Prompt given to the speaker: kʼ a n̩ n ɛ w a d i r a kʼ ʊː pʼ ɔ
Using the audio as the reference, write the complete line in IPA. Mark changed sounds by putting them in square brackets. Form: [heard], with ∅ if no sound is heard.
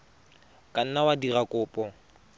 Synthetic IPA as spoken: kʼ a n̩ n [a] w a d i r a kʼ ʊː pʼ ɔ